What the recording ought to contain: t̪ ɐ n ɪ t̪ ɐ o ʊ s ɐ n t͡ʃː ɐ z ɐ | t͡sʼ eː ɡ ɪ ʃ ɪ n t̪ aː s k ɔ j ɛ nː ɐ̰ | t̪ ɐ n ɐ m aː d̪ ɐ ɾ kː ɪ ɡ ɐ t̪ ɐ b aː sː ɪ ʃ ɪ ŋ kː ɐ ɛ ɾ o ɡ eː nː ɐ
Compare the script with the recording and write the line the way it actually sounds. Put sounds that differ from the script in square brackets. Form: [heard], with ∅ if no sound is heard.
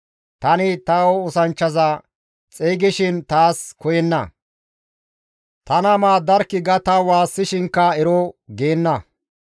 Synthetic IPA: t̪ ɐ n ɪ t̪ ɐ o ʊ s ɐ n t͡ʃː ɐ z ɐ | t͡sʼ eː ɡ ɪ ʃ ɪ n t̪ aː s k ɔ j ɛ nː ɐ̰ | t̪ ɐ n ɐ m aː d̪ ɐ ɾ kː ɪ ɡ ɐ t̪ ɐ [w] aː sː ɪ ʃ ɪ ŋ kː ɐ ɛ ɾ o ɡ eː nː ɐ